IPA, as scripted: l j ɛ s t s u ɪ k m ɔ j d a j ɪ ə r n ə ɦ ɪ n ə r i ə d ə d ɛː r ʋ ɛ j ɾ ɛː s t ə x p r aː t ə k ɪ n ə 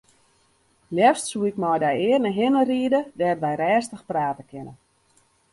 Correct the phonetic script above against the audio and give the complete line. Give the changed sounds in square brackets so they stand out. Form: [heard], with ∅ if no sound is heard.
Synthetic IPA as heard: l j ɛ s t s u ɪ k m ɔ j d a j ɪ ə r n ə ɦ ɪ n ə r i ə d ə d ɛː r ʋ ɛ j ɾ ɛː s t ə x p r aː t ə k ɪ n ə